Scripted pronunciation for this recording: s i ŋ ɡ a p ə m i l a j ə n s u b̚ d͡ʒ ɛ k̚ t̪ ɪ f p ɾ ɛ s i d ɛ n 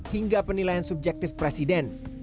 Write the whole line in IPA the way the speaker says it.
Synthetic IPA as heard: h i ŋ ɡ a p ə n i l a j a n s u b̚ d͡ʒ ɛ k̚ t̪ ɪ f p ɾ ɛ s i d ɛ n